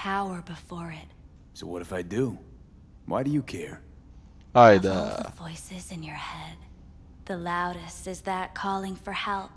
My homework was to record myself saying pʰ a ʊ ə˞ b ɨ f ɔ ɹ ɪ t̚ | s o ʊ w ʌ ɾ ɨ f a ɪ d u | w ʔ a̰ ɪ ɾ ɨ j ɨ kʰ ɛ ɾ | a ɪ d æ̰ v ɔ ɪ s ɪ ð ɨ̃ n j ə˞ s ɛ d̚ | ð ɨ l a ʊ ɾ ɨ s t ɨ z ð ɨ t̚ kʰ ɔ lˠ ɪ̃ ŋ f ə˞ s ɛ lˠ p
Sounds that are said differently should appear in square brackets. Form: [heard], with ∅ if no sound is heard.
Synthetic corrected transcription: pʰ a ʊ ə˞ b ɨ f ɔ ɹ ɪ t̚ | s o ʊ w ʌ ɾ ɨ f a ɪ d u | w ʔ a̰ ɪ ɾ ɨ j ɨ kʰ ɛ [ɹ] | a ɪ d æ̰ v ɔ ɪ s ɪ [z] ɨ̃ n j ə˞ [h] ɛ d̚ | ð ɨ l a ʊ ɾ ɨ s t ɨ z ð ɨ t̚ kʰ ɔ lˠ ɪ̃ ŋ f ə˞ [h] ɛ lˠ p